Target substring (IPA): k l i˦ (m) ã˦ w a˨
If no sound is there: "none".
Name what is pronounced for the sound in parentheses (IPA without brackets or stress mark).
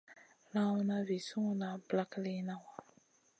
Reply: n